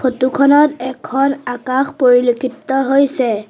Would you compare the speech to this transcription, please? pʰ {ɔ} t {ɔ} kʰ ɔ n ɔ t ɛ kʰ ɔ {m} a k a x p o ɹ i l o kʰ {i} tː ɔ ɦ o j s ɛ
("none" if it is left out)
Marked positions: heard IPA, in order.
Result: o, u, n, i

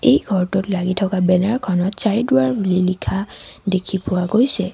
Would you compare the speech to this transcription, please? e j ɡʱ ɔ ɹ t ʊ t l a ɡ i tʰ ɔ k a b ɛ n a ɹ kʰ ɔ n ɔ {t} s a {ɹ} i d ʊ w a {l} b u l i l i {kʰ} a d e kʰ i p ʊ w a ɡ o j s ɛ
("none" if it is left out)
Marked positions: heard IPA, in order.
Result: t, ɹ, ɹ, kʰ

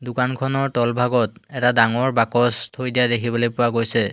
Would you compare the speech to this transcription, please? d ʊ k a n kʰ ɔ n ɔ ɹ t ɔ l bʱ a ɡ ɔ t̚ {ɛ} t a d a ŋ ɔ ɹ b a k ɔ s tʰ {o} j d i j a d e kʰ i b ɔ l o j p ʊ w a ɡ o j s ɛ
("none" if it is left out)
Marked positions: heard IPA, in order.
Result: ɛ, o

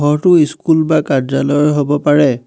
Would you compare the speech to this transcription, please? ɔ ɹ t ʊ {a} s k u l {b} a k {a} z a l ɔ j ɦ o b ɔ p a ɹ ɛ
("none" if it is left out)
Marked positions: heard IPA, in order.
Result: i, b, a

